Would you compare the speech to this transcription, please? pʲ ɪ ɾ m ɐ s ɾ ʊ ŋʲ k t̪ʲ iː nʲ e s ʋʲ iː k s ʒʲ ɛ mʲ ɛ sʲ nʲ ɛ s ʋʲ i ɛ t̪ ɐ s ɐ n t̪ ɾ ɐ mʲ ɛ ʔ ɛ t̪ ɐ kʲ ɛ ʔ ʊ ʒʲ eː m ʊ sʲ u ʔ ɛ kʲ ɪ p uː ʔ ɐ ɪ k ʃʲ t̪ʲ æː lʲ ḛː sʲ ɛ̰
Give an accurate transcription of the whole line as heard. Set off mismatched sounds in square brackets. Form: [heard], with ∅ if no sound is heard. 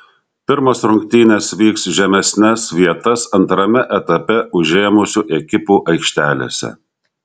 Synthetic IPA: pʲ ɪ ɾ m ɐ s ɾ ʊ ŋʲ k t̪ʲ iː nʲ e s ʋʲ iː k s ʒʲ ɛ mʲ ɛ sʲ nʲ ɛ s ʋʲ i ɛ t̪ ɐ s ɐ n t̪ ɾ ɐ mʲ ɛ ʔ ɛ t̪ ɐ [pʲ] ɛ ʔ ʊ ʒʲ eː m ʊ sʲ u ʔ ɛ kʲ ɪ p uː ʔ ɐ ɪ k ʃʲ t̪ʲ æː lʲ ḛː sʲ ɛ̰

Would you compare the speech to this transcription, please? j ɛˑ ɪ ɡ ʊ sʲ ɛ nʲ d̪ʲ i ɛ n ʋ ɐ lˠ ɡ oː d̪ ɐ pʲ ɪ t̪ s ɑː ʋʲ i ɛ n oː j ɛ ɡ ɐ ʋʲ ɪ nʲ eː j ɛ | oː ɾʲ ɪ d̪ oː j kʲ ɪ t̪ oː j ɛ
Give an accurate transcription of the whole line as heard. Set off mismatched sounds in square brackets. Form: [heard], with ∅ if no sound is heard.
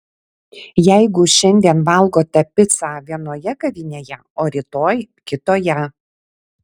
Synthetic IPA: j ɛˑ ɪ ɡ ʊ [ʃʲ] ɛ nʲ d̪ʲ i ɛ n ʋ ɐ lˠ ɡ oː [t̪] ɐ pʲ ɪ t̪ s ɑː ʋʲ i ɛ n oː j ɛ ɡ ɐ ʋʲ ɪ nʲ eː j ɛ | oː ɾʲ ɪ [t̪] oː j kʲ ɪ t̪ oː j ɛ

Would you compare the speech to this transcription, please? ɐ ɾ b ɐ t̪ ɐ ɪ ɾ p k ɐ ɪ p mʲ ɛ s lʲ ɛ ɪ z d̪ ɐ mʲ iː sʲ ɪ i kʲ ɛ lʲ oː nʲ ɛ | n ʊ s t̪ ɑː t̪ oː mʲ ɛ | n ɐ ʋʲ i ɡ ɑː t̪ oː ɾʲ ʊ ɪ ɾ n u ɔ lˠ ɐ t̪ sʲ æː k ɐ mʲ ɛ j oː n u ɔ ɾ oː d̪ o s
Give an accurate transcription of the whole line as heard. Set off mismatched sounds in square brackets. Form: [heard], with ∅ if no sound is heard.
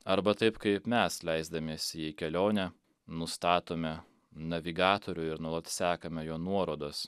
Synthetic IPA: ɐ ɾ b ɐ t̪ ɐ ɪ [∅] p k ɐ ɪ p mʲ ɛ s lʲ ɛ ɪ z d̪ ɐ mʲ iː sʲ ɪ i kʲ ɛ lʲ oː nʲ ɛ | n ʊ s t̪ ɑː t̪ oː mʲ ɛ | n ɐ ʋʲ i ɡ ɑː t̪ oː ɾʲ ʊ ɪ ɾ n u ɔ lˠ ɐ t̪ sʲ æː k ɐ mʲ ɛ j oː n u ɔ ɾ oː d̪ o s

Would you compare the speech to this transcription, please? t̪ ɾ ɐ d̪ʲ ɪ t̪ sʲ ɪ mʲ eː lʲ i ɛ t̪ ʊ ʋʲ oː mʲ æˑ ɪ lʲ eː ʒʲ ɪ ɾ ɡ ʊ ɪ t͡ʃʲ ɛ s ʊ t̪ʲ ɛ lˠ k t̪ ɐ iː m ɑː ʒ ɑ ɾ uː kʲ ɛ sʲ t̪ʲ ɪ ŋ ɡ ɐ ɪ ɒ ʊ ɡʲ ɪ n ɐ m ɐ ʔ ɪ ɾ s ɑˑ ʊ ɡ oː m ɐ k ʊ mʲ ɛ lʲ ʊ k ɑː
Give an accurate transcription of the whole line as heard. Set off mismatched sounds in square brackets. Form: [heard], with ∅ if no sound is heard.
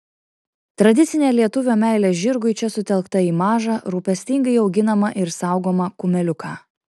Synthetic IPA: t̪ ɾ ɐ d̪ʲ ɪ t̪ sʲ ɪ [nʲ] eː lʲ i ɛ t̪ ʊ ʋʲ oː mʲ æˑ ɪ lʲ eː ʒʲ ɪ ɾ ɡ ʊ ɪ t͡ʃʲ ɛ s ʊ t̪ʲ ɛ lˠ k t̪ ɐ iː m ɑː ʒ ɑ ɾ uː [pʲ] ɛ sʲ t̪ʲ ɪ ŋ ɡ ɐ ɪ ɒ ʊ ɡʲ ɪ n ɐ m ɐ ʔ ɪ ɾ s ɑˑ ʊ ɡ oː m ɐ k ʊ mʲ ɛ lʲ ʊ k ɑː

